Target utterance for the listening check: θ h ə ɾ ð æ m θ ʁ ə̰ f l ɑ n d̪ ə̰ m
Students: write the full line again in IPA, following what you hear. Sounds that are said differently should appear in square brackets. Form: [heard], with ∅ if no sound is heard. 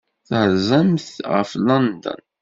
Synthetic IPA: θ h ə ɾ [z] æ m θ ʁ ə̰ f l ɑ n d̪ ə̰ [n]